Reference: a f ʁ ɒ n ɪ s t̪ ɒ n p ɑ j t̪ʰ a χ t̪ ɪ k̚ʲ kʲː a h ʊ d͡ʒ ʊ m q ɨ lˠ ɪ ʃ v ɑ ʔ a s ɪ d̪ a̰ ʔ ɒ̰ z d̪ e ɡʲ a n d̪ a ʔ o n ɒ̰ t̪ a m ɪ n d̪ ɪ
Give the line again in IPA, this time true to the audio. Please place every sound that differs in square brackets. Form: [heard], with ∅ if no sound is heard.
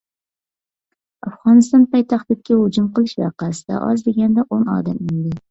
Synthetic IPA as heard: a f ʁ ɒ n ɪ s t̪ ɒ n p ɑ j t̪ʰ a χ t̪ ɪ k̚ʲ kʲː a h ʊ d͡ʒ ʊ m q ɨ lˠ ɪ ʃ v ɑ [q] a s ɪ d̪ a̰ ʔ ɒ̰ z d̪ e ɡʲ a n d̪ a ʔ o n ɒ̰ [d̪] a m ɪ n d̪ ɪ

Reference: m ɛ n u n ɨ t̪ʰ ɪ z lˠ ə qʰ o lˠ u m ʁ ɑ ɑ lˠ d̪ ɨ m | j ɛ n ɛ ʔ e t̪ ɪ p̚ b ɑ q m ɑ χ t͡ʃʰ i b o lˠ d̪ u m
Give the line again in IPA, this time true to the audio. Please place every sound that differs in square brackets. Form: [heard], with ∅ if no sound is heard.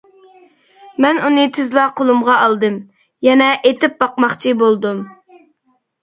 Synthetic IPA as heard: m ɛ n u n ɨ t̪ʰ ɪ z lˠ [ɑ] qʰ o lˠ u m ʁ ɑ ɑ lˠ d̪ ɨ m | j ɛ n ɛ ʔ e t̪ ɪ p̚ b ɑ q m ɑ χ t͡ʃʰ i b o lˠ d̪ u m

